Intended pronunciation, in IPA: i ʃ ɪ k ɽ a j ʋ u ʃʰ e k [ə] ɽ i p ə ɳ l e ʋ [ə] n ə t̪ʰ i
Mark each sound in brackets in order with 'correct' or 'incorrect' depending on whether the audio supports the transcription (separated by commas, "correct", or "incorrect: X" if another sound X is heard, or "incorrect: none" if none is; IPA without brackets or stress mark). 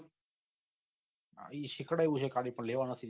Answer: incorrect: a, incorrect: a